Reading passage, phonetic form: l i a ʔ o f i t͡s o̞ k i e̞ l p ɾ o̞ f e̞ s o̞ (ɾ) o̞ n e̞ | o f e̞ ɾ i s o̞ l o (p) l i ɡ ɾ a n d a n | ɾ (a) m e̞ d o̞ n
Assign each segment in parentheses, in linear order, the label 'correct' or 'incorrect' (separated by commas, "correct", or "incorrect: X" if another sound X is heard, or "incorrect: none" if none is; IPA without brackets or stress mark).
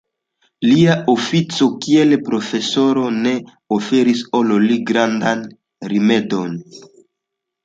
correct, incorrect: none, incorrect: i